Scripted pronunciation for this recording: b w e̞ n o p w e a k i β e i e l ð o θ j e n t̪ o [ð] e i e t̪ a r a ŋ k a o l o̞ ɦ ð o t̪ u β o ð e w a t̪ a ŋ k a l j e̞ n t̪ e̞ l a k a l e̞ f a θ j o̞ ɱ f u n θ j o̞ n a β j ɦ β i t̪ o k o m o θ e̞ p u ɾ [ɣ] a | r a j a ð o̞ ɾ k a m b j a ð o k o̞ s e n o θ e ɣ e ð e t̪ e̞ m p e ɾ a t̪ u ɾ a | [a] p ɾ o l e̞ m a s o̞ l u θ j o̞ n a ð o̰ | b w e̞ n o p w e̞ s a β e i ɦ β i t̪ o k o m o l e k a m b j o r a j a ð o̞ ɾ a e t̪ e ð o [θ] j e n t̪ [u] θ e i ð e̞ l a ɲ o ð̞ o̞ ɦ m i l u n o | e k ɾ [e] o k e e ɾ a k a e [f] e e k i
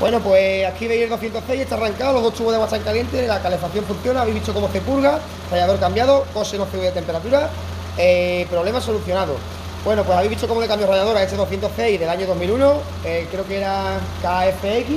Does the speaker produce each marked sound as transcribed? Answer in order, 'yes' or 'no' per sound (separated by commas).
no, yes, no, yes, no, yes, yes